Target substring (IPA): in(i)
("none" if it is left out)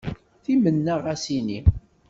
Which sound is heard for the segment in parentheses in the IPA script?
i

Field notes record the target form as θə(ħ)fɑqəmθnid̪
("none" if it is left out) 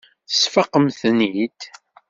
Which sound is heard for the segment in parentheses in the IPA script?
s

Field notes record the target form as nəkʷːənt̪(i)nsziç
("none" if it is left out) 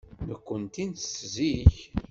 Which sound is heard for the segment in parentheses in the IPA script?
i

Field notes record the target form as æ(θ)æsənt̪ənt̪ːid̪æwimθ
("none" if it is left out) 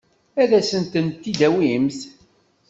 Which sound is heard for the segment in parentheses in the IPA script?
ð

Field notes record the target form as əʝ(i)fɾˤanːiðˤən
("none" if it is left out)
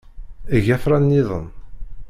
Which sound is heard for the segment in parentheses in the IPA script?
æ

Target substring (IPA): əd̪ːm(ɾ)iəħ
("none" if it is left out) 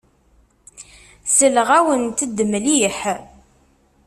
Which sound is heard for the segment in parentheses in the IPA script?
l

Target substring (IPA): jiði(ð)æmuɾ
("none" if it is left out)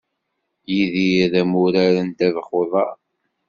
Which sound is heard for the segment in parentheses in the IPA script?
ð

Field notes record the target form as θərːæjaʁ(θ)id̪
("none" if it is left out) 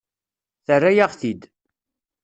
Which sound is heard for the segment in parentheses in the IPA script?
θ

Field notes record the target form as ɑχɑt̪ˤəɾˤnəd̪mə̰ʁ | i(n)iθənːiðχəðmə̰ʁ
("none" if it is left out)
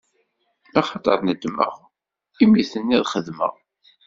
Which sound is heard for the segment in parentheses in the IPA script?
m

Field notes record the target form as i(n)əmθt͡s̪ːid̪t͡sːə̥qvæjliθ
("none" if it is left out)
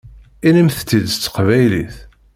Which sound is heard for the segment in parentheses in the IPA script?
n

